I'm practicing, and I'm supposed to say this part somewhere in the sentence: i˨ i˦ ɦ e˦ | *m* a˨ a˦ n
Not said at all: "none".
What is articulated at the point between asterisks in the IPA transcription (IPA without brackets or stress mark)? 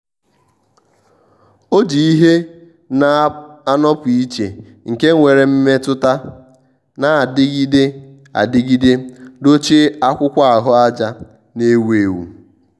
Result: n